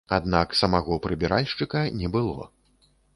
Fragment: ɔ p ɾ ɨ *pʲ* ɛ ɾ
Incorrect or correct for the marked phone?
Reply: incorrect: bʲ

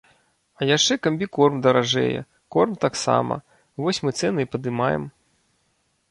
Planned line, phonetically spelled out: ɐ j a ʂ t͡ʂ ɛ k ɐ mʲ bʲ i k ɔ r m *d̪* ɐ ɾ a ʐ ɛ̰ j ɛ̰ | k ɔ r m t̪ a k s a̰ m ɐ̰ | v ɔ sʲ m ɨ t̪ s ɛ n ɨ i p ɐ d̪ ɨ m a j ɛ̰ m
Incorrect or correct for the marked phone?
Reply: correct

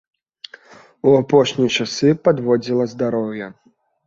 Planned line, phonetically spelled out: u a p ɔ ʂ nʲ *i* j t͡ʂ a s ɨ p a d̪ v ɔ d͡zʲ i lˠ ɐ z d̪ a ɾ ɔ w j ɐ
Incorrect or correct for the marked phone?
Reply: correct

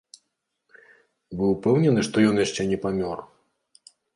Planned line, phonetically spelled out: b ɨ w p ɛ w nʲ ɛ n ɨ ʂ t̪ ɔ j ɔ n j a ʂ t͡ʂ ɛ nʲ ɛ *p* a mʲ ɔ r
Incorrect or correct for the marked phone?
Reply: correct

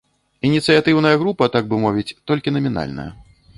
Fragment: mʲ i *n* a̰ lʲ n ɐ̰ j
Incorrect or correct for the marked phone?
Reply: correct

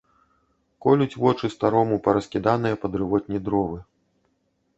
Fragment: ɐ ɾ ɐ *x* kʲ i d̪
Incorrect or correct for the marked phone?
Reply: incorrect: s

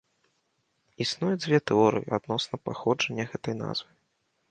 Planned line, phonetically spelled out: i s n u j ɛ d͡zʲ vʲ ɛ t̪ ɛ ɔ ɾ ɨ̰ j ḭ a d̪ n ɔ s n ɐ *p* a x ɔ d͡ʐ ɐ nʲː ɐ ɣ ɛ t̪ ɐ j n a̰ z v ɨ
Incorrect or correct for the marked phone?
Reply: correct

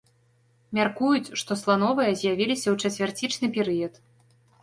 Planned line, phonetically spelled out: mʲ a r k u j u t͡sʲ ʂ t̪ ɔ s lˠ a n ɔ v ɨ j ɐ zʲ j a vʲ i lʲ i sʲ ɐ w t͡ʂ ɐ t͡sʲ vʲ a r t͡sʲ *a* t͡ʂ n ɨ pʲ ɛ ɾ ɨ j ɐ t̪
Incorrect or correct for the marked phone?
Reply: incorrect: i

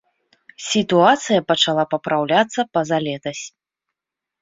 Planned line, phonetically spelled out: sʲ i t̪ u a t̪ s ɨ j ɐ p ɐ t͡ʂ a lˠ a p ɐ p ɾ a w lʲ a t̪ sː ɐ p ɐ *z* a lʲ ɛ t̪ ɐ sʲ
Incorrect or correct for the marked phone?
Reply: correct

